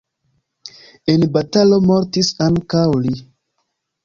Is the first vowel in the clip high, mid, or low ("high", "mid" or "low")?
mid